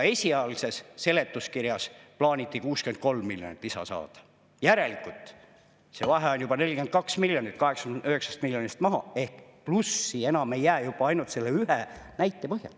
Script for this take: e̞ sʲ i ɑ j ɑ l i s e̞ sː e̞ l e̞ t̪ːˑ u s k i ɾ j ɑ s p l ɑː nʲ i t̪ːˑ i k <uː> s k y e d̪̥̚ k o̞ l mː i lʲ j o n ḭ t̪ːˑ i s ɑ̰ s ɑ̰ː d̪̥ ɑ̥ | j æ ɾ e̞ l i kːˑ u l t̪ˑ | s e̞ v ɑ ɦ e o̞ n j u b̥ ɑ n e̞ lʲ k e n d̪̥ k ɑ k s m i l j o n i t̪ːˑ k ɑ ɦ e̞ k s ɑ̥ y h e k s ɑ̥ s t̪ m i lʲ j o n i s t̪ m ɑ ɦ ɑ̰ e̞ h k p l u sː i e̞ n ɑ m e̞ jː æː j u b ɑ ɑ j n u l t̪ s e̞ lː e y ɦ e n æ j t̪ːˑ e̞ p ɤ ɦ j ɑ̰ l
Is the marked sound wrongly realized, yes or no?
no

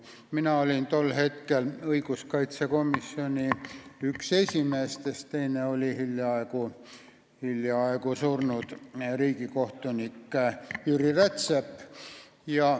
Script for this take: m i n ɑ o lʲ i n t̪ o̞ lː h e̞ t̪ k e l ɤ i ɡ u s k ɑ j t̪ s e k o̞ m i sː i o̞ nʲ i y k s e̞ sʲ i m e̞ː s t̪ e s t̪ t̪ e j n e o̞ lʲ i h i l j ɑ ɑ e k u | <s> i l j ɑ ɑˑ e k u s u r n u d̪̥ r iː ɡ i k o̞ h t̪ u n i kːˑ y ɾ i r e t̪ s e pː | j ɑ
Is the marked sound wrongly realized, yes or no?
yes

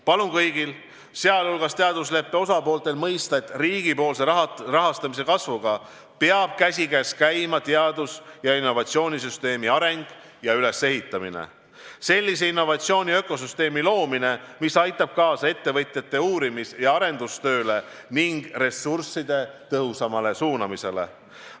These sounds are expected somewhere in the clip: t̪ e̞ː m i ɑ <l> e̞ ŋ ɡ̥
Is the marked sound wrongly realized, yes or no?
yes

